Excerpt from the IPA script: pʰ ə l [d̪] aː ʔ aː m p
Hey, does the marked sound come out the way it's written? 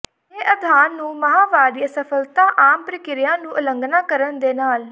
no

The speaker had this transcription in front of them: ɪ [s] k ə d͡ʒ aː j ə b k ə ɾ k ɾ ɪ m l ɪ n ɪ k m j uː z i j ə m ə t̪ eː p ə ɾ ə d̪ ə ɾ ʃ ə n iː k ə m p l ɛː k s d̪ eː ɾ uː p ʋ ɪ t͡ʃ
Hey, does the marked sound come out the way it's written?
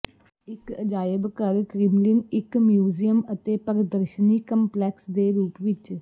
no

